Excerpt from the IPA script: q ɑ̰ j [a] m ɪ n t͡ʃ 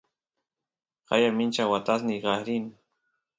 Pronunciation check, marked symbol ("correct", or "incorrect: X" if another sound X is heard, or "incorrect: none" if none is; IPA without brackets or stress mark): correct